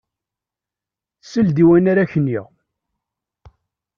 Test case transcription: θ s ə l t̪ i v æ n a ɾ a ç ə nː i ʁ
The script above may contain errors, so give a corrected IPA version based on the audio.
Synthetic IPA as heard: θ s ə l d̪ i w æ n a ɾ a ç ə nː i ʁ